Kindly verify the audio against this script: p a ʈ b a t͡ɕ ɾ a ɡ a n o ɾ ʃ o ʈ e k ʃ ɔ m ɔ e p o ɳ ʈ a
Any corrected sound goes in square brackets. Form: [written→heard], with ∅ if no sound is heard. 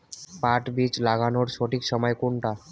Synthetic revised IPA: p a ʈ b [a→i] t͡ɕ [ɾ→l] a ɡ a n o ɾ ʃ o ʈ [e→i] k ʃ ɔ m ɔ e [p→k] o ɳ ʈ a